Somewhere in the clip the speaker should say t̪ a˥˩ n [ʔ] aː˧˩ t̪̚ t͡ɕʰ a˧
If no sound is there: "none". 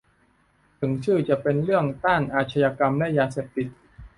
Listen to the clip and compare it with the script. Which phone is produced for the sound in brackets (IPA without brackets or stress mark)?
ʔ